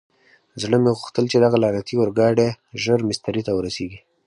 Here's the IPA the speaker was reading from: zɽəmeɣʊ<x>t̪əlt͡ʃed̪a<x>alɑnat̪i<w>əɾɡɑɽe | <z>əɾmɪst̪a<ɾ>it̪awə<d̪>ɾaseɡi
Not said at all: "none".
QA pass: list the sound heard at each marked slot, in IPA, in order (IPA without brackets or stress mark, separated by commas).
x, ɣ, w, ʒ, ɾ, none